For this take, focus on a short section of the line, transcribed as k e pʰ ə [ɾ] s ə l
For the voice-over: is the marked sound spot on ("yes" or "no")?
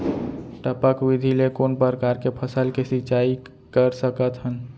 no